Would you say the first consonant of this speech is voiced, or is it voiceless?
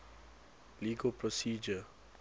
voiced